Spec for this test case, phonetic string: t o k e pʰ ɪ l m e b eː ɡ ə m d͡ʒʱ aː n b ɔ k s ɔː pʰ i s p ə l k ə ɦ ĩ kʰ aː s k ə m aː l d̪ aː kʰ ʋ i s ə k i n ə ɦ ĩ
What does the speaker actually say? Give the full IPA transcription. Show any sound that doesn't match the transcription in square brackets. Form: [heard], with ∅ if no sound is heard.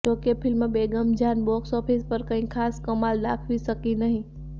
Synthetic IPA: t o k e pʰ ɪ l m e b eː ɡ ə m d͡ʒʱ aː n b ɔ k s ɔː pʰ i s p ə [ɾ] k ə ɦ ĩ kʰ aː s k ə m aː l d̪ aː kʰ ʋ i s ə k i n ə ɦ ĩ